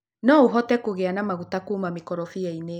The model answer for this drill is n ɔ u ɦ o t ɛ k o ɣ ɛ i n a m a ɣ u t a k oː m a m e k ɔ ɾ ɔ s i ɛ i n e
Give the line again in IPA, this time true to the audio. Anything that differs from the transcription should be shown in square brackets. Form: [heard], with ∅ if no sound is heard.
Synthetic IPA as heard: n ɔ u ɦ [ɔ] t ɛ k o ɣ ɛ [a] n a m a ɣ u t a k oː m a m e k ɔ ɾ ɔ [f] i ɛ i n e